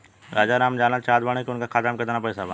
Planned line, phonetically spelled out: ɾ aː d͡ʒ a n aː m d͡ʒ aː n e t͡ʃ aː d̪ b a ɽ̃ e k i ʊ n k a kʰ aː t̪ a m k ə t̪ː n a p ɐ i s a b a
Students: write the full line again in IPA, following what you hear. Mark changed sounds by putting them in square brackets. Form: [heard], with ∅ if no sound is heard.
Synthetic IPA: ɾ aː d͡ʒ a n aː m d͡ʒ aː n [a] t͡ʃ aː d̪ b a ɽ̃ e k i ʊ n k a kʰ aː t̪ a m k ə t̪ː n a p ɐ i s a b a